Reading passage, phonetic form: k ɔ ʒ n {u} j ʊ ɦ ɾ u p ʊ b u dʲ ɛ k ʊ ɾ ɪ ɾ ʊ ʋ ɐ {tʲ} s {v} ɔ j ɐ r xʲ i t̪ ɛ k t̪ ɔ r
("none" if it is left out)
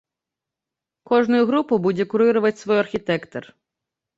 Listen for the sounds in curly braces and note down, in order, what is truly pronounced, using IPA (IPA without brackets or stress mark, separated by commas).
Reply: ʊ, tʲ, ʋ